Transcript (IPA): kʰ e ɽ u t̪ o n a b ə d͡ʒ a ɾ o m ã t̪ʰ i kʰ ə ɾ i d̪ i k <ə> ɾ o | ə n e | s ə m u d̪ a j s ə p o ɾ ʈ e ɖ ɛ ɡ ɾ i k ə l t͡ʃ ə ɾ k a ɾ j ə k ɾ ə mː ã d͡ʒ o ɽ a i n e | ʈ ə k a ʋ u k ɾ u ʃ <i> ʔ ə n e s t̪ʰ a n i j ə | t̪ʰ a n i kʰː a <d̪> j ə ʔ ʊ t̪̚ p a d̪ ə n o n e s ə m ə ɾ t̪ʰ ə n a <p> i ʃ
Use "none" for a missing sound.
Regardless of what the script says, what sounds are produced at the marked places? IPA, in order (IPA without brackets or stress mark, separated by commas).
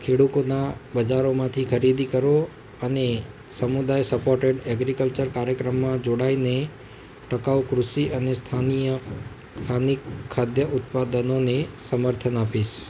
ə, i, d̪, p